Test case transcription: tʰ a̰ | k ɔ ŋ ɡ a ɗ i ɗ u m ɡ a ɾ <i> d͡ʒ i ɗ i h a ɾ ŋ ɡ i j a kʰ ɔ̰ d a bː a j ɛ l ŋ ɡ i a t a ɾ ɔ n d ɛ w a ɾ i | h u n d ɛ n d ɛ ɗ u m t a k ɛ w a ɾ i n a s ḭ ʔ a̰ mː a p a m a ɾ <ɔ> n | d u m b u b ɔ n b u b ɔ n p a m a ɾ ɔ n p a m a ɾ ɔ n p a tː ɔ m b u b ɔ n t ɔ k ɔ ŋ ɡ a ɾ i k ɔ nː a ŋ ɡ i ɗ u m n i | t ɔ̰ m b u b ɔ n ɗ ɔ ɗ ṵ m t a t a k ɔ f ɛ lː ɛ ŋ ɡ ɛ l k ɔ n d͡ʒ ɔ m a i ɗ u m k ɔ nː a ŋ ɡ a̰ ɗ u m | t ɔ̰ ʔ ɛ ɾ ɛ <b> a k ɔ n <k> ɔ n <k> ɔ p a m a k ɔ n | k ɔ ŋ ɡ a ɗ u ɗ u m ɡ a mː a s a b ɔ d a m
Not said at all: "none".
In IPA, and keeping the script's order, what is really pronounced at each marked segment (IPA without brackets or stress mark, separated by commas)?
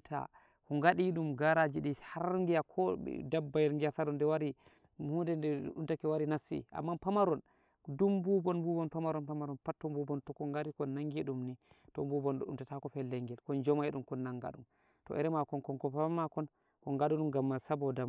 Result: a, ɔ, m, k, k